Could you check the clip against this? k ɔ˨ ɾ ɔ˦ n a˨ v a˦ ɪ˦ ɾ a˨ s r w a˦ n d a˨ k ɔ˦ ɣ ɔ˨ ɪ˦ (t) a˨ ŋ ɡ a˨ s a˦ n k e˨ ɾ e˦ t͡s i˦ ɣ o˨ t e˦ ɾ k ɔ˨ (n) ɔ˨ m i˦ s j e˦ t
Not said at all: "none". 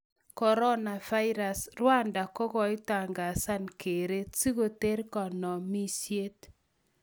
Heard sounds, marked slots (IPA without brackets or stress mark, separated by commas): t, n